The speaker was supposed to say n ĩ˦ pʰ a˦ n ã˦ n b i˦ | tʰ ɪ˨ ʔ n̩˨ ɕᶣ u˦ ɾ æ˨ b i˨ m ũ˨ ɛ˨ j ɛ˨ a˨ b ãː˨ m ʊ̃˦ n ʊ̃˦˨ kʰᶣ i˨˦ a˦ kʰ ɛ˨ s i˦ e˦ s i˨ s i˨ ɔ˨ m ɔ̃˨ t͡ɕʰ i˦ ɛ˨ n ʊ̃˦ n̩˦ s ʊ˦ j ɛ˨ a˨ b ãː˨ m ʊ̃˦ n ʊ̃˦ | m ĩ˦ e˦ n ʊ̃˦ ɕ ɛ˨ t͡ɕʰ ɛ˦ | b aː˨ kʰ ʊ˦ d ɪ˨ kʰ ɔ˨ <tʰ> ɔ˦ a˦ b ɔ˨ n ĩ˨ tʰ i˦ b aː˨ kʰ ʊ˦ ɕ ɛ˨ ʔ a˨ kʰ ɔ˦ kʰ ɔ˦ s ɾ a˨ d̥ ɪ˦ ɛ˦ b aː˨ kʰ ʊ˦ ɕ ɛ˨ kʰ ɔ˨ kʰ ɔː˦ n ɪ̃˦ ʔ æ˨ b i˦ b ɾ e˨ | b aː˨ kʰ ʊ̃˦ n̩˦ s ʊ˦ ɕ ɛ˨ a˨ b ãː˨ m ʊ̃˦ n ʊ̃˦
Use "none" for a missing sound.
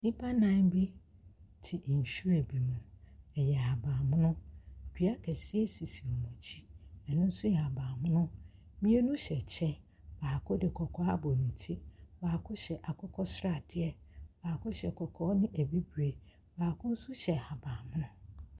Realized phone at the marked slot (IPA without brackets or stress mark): kʰ